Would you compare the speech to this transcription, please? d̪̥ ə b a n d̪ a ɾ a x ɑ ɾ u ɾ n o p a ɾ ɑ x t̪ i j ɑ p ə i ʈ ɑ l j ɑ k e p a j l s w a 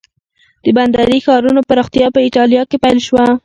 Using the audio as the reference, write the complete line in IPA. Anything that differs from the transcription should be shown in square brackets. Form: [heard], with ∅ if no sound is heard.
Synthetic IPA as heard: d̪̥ ə b a n d̪ a ɾ [i] x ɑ ɾ u [∅] n o p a ɾ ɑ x t̪ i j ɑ p ə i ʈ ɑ l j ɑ k e p a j l [ʃ] w a